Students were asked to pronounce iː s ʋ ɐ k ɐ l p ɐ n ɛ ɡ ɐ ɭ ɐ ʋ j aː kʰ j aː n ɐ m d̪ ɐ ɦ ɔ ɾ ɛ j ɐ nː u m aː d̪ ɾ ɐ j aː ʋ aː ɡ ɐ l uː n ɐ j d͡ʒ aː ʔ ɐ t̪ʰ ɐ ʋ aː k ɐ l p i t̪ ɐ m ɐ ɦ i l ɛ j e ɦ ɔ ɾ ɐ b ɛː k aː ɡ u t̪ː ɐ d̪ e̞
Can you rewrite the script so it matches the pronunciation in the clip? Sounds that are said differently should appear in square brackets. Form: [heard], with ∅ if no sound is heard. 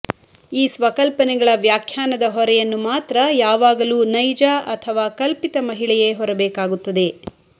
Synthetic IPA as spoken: iː s ʋ ɐ k ɐ l p ɐ n ɛ ɡ ɐ ɭ ɐ ʋ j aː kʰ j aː n ɐ [∅] d̪ ɐ ɦ ɔ ɾ ɛ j ɐ nː u m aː [t̪] ɾ ɐ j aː ʋ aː ɡ ɐ l uː n ɐ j d͡ʒ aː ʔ ɐ t̪ʰ ɐ ʋ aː k ɐ l p i t̪ ɐ m ɐ ɦ i [ɭ] ɛ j e ɦ ɔ ɾ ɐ b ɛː k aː ɡ u t̪ː ɐ d̪ e̞